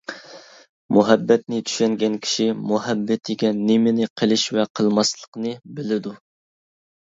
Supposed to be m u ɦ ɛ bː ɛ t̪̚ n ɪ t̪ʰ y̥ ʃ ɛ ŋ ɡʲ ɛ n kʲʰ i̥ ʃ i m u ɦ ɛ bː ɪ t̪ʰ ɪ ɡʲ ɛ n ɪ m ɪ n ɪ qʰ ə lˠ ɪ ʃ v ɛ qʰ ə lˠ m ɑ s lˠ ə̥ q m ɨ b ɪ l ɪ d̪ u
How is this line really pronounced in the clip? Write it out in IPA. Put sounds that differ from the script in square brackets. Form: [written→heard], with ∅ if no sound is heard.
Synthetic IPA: m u ɦ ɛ bː ɛ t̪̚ n ɪ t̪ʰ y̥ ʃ ɛ ŋ ɡʲ ɛ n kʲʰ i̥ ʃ i m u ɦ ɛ bː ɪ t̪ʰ ɪ ɡʲ ɛ n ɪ m ɪ n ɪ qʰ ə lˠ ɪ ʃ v ɛ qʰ ə lˠ m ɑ s lˠ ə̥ q [m→n] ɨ b ɪ l ɪ d̪ u